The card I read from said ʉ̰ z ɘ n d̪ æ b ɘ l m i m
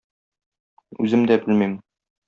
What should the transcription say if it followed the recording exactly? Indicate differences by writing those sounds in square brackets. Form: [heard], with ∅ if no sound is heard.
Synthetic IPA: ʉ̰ z ɘ [m] d̪ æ b ɘ l m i m

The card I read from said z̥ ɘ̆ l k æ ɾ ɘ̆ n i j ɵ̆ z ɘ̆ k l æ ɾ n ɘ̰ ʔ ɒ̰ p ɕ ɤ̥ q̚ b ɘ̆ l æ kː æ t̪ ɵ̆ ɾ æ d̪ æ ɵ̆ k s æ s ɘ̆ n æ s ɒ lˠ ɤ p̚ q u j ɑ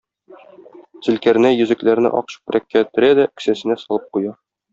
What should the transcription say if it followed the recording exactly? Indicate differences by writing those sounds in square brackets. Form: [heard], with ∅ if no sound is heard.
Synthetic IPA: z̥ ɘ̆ l k æ ɾ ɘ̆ n [æ] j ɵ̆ z ɘ̆ k l æ ɾ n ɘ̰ ʔ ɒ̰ [q] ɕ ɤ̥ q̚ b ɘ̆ [ɾ] æ kː æ t̪ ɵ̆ ɾ æ d̪ æ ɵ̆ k s æ s ɘ̆ n æ s ɒ lˠ ɤ p̚ q u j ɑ

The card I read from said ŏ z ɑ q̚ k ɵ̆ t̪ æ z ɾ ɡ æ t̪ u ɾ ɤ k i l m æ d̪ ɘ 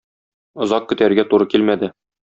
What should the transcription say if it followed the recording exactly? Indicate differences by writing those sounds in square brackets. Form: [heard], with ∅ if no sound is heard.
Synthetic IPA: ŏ z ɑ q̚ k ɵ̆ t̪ æ [∅] ɾ ɡ æ t̪ u ɾ ɤ k i l m æ d̪ ɘ

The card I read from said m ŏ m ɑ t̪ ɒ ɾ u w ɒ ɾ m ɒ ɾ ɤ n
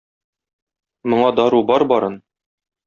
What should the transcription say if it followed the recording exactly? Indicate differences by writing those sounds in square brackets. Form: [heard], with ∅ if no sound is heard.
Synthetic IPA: m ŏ [ɴ] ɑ [d̪] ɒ ɾ u [b] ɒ ɾ [b] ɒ ɾ ɤ n

